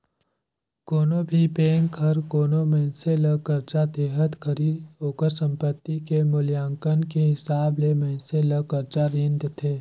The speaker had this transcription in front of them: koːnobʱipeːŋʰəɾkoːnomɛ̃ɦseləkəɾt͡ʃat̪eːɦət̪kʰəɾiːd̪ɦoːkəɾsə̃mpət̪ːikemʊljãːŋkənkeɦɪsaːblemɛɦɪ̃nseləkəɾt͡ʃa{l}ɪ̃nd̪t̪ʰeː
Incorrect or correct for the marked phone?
incorrect: ɾ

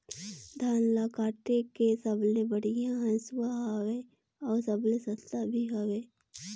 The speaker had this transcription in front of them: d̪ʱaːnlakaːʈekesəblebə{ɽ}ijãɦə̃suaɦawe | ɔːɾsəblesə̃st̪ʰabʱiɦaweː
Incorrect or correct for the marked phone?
correct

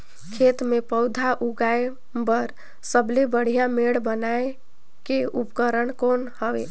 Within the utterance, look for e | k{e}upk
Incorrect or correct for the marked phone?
correct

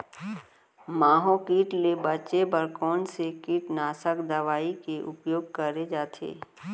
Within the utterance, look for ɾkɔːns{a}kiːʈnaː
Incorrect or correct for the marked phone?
incorrect: e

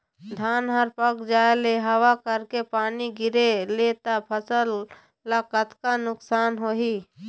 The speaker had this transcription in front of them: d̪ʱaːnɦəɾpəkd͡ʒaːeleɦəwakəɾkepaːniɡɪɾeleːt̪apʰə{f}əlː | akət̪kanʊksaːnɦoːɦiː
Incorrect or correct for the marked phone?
incorrect: s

